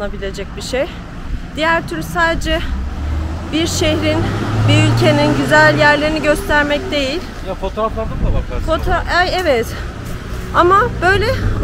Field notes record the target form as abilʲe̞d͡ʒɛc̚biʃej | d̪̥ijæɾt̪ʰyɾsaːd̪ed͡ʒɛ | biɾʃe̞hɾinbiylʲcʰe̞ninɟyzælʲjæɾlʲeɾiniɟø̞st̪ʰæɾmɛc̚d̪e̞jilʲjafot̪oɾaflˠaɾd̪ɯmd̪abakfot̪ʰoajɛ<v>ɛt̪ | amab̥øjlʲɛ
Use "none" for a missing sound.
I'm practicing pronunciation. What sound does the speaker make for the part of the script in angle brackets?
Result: v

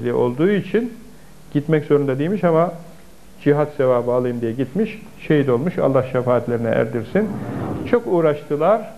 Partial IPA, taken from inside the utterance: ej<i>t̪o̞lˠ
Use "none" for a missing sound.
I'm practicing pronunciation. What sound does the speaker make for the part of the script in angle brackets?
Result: i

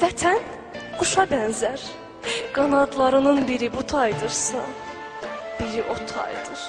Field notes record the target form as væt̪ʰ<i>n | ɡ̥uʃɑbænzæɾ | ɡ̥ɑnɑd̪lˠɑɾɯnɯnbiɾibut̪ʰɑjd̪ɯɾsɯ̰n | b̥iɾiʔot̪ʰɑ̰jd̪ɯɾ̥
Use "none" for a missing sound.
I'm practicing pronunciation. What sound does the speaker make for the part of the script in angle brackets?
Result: æ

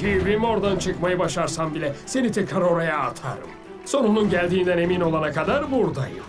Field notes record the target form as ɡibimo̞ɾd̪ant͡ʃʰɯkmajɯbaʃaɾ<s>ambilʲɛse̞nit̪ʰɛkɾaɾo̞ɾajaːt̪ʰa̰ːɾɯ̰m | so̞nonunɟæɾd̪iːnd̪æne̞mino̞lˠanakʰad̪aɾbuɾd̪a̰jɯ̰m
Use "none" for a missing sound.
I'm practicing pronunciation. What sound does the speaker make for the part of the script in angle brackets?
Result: s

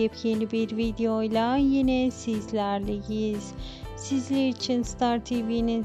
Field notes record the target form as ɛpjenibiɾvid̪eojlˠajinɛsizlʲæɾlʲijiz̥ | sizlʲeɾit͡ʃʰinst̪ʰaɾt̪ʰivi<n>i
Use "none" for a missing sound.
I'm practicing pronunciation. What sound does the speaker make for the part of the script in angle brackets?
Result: n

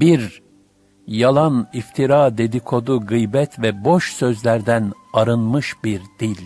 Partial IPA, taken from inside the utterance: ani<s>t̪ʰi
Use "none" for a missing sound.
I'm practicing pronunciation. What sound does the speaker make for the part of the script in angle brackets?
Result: f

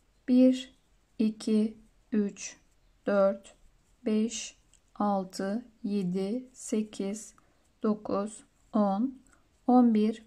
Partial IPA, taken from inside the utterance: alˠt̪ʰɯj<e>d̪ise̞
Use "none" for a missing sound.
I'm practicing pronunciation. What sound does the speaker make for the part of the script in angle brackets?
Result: e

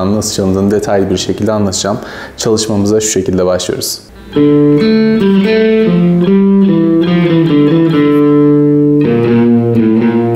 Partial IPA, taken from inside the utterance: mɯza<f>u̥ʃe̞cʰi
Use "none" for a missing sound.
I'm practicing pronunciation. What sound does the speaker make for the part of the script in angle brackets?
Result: ʃ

